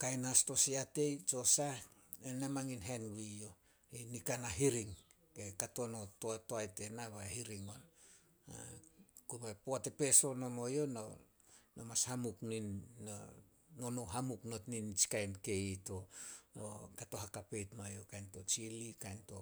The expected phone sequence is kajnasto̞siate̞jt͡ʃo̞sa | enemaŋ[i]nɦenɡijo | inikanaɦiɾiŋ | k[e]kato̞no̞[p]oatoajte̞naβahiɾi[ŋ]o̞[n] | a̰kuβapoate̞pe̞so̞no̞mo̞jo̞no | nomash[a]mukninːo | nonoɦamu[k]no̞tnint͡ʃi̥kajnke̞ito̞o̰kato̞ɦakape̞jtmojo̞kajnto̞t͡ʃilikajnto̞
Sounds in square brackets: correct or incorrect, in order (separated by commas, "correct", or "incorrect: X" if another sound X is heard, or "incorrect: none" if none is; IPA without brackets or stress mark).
correct, correct, incorrect: t, correct, correct, correct, correct